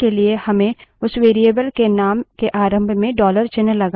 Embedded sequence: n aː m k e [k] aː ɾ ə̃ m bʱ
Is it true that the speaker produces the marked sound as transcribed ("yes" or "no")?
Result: no